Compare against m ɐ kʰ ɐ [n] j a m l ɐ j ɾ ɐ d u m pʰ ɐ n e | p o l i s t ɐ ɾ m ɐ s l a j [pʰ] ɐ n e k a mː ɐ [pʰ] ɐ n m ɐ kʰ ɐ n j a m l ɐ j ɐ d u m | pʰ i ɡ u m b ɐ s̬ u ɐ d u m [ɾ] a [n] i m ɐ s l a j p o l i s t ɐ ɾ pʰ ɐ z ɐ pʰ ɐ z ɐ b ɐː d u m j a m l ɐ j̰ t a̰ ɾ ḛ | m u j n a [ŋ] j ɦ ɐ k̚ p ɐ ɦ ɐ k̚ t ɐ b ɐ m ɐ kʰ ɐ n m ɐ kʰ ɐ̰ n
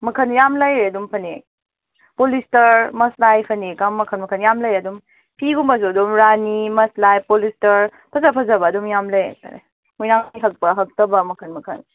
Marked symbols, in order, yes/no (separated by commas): yes, yes, no, yes, yes, yes